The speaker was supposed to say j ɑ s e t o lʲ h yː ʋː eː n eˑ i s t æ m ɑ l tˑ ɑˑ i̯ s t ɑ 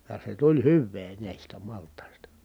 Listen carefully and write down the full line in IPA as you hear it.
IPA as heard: j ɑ s e t u lʲ h y ʋː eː n æˑ i s t æ m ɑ l tˑ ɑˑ i̯ s t ɑ